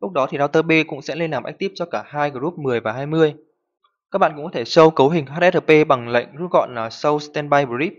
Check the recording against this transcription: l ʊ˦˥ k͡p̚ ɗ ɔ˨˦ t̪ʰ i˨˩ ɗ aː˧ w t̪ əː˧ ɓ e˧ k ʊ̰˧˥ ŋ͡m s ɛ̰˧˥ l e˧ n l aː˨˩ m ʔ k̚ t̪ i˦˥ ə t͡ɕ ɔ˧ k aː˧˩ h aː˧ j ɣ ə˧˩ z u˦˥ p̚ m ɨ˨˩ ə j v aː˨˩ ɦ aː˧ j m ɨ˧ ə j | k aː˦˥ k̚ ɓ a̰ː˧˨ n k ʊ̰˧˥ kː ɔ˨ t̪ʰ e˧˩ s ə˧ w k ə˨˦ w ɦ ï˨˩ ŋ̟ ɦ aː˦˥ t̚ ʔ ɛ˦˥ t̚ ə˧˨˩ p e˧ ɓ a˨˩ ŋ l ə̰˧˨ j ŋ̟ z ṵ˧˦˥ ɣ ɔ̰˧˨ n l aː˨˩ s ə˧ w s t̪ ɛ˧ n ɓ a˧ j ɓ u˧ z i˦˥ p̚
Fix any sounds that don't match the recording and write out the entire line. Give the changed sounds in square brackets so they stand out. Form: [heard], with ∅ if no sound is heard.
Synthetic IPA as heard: l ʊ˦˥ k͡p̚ ɗ ɔ˨˦ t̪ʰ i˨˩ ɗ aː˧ w t̪ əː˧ ɓ e˧ k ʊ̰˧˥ ŋ͡m s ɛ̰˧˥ l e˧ n l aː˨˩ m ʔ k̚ t̪ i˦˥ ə t͡ɕ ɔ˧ k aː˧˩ h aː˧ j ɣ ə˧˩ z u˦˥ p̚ m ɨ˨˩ ə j v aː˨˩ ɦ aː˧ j m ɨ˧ ə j | k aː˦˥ k̚ ɓ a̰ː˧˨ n k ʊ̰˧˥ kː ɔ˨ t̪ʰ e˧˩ s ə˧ w k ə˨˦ w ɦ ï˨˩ ŋ̟ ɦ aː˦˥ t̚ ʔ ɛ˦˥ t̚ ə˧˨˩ p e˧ ɓ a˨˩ ŋ l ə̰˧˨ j ŋ̟ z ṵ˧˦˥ ɣ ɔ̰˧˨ n l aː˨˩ s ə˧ w s t̪ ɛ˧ n ɓ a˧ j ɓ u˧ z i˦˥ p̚